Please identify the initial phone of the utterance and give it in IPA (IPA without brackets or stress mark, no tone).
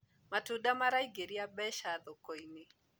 m